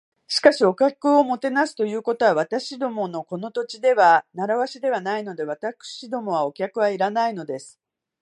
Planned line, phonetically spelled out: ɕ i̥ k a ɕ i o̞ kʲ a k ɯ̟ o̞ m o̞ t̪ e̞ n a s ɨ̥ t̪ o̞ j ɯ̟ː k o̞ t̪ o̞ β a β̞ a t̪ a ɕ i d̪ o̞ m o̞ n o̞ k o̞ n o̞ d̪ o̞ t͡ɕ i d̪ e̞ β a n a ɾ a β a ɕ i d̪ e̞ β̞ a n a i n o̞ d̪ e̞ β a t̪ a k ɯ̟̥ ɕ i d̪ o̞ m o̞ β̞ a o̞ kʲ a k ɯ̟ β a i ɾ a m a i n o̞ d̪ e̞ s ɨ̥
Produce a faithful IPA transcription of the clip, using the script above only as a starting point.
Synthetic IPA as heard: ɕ i̥ k a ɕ i o̞ kʲ a k ɯ̟ o̞ m o̞ t̪ e̞ n a s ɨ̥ t̪ o̞ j ɯ̟ː k o̞ t̪ o̞ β a β̞ a t̪ a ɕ i d̪ o̞ m o̞ n o̞ k o̞ n o̞ t̪ o̞ t͡ɕ i d̪ e̞ β a n a ɾ a β a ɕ i d̪ e̞ β̞ a n a i n o̞ d̪ e̞ β a t̪ a k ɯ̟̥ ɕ i d̪ o̞ m o̞ β̞ a o̞ kʲ a k ɯ̟ β a i ɾ a n a i n o̞ d̪ e̞ s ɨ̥